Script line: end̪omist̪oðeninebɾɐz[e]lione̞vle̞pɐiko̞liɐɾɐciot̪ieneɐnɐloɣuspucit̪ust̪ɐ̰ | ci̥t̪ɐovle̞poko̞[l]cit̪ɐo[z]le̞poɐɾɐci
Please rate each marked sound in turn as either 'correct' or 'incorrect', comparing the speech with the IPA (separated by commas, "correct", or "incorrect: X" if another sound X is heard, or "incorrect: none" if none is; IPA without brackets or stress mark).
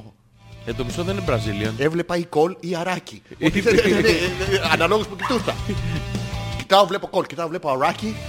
incorrect: i, correct, incorrect: v